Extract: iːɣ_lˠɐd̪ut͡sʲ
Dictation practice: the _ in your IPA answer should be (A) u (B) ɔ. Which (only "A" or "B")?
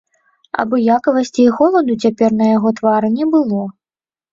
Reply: B